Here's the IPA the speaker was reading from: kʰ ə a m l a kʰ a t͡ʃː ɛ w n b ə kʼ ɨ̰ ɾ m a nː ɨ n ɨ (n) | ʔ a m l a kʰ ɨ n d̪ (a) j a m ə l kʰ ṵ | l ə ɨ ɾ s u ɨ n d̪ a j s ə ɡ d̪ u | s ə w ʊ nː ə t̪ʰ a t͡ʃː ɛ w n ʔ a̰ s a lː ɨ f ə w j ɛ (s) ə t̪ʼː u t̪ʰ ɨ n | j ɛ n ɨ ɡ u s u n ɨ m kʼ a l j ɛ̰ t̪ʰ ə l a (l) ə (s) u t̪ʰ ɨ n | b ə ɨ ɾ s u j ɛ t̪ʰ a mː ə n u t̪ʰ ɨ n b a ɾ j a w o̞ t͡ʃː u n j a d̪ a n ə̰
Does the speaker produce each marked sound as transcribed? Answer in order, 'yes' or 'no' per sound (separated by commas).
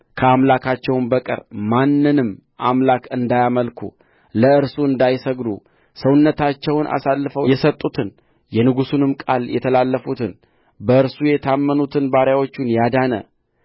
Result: no, yes, yes, no, no